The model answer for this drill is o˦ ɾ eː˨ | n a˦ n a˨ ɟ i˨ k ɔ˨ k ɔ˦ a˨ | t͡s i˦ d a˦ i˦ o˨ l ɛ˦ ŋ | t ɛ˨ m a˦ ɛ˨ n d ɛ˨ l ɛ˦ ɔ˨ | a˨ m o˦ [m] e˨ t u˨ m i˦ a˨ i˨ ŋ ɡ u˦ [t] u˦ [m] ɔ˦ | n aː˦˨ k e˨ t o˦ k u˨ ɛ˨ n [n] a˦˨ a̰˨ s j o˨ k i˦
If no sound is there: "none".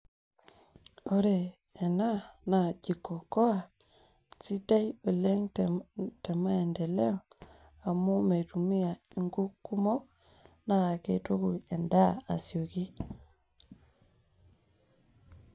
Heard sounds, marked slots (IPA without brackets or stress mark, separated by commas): m, k, m, d